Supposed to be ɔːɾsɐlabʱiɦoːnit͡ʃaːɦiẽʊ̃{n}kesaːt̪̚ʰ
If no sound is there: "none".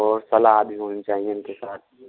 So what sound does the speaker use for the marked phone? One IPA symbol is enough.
n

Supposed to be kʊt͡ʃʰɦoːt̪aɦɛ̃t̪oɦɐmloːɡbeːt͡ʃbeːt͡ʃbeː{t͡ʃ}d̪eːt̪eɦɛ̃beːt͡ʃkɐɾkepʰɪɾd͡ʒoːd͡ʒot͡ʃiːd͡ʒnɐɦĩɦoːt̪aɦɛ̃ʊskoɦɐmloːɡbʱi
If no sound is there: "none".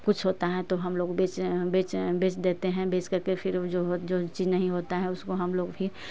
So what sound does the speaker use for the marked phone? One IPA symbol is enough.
t͡ʃ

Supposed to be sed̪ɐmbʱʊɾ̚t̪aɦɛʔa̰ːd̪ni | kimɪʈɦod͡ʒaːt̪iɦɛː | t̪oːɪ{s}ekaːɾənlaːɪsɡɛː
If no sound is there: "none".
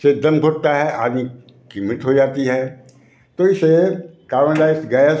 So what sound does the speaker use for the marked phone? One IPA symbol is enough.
s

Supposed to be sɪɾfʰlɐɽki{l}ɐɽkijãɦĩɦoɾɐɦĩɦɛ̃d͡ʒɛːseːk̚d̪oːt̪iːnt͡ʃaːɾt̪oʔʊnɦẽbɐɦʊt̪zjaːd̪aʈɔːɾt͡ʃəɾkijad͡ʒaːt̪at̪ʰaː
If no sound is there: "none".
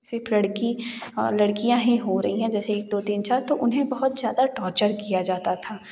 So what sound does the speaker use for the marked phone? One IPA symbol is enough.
l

